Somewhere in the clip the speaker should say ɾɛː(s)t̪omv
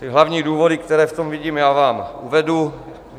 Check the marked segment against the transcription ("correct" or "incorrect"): incorrect